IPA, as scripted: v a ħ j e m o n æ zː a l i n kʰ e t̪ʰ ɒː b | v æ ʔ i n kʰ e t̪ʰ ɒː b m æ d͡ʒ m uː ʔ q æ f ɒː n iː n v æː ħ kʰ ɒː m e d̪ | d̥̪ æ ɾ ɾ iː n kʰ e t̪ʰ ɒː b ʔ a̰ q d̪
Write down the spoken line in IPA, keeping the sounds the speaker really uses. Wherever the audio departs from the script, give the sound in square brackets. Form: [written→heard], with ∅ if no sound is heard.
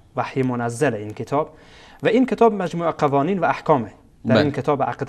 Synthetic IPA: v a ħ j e m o n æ zː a l i n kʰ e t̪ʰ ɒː b | v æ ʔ i n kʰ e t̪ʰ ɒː b m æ d͡ʒ m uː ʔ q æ [f→v] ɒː n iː n v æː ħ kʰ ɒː m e [d̪→∅] | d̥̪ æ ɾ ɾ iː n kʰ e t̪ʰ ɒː b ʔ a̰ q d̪

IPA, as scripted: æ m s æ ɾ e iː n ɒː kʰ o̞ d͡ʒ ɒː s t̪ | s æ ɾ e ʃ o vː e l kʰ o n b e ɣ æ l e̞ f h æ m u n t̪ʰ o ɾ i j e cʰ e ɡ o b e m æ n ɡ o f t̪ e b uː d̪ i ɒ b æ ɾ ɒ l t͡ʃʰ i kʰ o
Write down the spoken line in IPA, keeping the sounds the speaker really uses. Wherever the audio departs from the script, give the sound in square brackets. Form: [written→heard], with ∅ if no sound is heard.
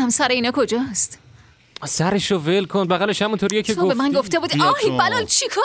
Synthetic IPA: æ m s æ ɾ e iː n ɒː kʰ o̞ d͡ʒ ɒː s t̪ | s æ ɾ e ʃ o [vː→v] e l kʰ o n b [e→æ] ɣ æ l e̞ [f→ʃ] h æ m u n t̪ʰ o ɾ i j e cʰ e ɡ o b e m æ n ɡ o f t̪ e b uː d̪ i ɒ b æ [ɾ→l] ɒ l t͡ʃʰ i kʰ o

